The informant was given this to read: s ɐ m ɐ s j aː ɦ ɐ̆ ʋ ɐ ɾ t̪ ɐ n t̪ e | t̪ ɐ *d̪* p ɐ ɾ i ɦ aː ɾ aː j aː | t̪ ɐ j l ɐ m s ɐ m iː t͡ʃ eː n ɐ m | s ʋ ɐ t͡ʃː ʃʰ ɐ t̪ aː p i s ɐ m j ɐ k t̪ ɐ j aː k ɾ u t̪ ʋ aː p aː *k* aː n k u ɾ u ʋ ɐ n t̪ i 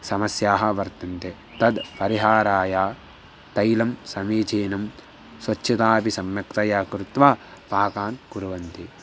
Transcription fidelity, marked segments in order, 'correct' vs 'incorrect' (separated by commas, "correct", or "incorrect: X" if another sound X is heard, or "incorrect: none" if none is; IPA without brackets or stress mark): correct, correct